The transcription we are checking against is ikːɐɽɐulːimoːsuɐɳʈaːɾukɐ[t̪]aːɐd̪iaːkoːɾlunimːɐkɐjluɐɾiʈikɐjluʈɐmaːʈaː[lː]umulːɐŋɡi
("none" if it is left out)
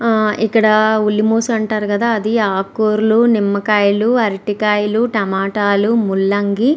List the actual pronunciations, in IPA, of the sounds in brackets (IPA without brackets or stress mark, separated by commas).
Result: d̪, l